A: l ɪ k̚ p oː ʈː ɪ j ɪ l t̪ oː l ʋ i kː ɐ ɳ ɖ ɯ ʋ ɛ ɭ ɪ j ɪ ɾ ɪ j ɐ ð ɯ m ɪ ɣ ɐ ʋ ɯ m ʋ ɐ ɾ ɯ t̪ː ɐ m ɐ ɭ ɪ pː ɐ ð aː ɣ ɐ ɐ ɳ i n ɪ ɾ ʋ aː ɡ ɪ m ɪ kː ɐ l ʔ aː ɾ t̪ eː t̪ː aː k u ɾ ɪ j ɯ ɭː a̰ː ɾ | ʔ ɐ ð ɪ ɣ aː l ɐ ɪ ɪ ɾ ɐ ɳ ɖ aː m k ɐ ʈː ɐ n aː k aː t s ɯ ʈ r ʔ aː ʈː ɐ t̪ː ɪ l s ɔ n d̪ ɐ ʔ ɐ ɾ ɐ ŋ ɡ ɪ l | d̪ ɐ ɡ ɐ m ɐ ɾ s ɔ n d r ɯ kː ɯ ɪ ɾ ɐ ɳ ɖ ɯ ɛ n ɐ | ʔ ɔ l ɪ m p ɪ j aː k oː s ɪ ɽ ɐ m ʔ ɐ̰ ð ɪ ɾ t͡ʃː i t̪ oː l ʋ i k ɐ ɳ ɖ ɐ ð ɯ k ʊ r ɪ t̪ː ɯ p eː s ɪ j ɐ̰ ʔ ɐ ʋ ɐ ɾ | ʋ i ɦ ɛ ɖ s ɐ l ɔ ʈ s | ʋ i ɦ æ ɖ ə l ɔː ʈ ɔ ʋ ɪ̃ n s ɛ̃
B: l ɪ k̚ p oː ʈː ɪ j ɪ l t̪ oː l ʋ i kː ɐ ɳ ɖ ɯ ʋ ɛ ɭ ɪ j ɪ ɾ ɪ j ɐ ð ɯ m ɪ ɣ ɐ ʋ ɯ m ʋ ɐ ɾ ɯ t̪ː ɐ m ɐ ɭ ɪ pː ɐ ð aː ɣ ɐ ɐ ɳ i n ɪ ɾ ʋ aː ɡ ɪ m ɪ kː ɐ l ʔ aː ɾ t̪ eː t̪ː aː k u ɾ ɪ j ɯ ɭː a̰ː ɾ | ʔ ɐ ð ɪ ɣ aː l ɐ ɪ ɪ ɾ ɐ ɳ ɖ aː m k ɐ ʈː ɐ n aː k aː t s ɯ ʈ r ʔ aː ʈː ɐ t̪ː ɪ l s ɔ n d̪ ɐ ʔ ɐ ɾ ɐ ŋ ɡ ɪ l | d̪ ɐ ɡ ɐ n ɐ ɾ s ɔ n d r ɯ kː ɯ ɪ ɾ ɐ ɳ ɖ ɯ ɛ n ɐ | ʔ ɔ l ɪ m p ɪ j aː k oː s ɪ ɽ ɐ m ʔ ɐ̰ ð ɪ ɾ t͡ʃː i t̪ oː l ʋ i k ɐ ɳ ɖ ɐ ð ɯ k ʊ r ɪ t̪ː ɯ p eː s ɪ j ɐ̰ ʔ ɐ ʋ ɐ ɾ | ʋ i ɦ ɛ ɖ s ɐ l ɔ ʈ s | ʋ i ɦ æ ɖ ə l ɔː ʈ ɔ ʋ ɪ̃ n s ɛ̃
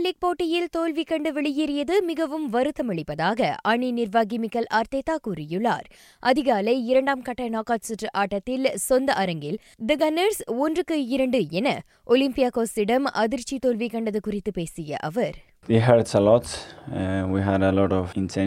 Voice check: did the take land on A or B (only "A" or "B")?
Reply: B